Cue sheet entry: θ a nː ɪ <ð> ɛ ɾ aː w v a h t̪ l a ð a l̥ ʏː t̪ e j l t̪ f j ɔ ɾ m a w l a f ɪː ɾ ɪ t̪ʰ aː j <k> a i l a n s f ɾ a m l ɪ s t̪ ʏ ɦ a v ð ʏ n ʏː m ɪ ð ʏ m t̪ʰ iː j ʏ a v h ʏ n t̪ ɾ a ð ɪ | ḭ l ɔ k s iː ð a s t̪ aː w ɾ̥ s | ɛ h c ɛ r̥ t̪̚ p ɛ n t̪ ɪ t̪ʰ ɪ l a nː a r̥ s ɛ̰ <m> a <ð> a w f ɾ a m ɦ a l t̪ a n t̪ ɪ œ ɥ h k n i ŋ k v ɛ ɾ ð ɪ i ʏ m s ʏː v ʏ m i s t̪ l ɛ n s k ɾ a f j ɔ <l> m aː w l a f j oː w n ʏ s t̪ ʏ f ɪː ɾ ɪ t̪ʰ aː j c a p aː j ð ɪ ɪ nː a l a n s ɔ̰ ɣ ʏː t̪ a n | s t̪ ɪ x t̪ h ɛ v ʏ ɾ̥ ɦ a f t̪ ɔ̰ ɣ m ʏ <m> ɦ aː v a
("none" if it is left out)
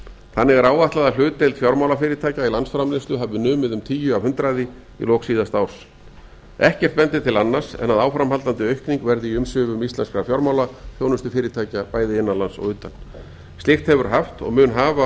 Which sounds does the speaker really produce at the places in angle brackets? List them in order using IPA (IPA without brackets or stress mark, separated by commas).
ɣ, c, n, ð, ɾ, n